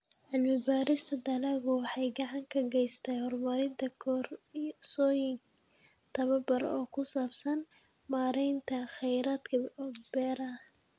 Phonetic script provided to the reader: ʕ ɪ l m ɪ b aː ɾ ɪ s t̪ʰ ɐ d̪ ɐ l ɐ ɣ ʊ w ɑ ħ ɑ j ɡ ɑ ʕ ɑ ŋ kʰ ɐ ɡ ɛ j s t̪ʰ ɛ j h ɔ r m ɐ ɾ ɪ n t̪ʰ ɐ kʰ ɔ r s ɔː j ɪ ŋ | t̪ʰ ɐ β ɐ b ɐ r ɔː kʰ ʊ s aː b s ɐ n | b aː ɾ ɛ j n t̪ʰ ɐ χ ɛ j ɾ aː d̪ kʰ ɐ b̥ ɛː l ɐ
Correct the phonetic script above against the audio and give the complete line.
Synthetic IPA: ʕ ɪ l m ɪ b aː ɾ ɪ s t̪ʰ ɐ d̪ ɐ l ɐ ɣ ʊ w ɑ ħ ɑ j ɡ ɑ ʕ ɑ ŋ kʰ ɐ ɡ ɛ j s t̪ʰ ɛ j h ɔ r m ɐ ɾ ɪ n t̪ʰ ɐ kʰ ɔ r s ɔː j ɪ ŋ | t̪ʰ ɐ β ɐ b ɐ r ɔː kʰ ʊ s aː b s ɐ n | m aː ɾ ɛ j n t̪ʰ ɐ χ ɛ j ɾ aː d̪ kʰ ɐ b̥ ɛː ɾ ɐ